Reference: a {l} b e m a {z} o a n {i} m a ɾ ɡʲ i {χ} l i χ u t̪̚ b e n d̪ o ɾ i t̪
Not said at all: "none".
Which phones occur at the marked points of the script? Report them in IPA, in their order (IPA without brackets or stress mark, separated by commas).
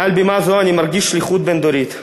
l, z, i, ʃ